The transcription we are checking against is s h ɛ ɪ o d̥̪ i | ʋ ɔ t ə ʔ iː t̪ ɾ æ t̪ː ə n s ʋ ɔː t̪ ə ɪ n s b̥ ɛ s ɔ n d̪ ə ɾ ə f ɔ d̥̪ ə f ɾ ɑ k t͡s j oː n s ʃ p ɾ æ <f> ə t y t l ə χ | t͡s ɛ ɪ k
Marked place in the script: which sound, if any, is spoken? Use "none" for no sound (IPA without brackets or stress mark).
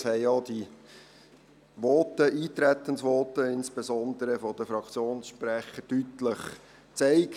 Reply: χ